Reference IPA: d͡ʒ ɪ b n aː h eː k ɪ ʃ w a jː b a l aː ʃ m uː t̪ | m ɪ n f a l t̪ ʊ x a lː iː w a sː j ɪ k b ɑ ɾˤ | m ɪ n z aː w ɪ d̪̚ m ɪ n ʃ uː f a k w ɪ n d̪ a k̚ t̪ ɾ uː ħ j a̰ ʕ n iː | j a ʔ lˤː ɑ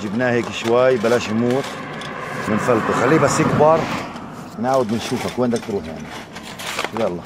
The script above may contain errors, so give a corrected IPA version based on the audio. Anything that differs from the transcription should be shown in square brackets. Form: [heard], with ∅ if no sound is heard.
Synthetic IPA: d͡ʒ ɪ b n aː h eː k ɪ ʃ w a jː b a l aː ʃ m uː t̪ | m ɪ n f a l t̪ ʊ x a lː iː [b] a sː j ɪ k b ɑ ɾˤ | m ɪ n [ʕ] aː w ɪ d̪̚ m ɪ n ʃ uː f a k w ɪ n d̪ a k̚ t̪ ɾ uː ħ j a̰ ʕ n [i] | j a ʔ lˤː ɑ